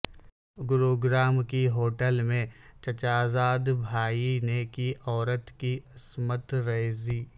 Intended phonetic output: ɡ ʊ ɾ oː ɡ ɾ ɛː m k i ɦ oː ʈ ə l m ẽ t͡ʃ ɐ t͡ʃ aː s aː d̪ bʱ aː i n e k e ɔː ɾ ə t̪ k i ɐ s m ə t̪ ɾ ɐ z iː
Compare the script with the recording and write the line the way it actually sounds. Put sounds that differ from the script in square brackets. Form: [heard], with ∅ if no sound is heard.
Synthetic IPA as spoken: ɡ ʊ ɾ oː ɡ ɾ [aː] m k i ɦ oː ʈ ə l m ẽ t͡ʃ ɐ t͡ʃ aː [z] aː d̪ bʱ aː i n e k [i] ɔː ɾ ə t̪ k i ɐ s m ə t̪ ɾ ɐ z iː